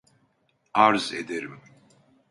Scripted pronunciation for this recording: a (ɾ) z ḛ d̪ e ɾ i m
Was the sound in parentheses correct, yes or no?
yes